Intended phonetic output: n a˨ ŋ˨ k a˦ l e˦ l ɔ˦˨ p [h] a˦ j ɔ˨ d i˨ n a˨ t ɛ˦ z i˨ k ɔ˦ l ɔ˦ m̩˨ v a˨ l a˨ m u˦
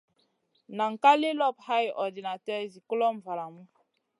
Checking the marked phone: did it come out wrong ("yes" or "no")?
no